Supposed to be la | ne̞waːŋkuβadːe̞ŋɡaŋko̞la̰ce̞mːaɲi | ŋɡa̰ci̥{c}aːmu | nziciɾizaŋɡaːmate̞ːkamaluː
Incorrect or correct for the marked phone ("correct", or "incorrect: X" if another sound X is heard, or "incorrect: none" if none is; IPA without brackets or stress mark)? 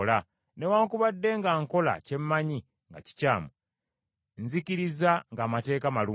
correct